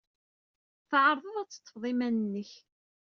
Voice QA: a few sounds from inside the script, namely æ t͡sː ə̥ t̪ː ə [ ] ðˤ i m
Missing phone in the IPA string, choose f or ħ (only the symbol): f